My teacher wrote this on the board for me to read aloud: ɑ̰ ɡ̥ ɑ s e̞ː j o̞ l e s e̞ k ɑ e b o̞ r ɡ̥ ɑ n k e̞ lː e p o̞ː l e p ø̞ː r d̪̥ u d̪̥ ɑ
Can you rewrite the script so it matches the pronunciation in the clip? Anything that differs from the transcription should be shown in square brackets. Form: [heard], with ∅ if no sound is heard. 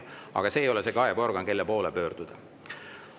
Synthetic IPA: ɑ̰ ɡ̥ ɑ s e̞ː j o̞ l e s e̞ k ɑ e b o̞ r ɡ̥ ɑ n k e̞ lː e p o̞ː l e p ø̞ː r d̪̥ u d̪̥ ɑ